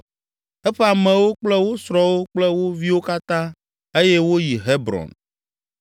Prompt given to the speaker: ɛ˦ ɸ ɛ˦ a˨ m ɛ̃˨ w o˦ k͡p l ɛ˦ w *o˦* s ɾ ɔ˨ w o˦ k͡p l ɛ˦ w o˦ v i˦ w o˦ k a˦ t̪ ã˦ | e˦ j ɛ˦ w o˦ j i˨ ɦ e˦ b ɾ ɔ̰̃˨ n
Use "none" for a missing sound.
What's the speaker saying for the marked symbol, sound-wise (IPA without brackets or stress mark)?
o˦